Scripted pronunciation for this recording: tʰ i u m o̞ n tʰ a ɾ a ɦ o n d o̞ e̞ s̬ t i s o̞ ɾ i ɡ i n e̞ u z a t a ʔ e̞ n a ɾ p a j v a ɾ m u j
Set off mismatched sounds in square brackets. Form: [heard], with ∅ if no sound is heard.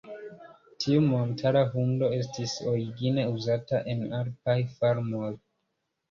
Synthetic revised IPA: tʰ i u m o̞ n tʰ a ɾ a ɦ [u] n d o̞ e̞ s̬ t i s o̞ ɾ i ɡ i n e̞ u z a t a ʔ e̞ n a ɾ p a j [f] a ɾ m [o] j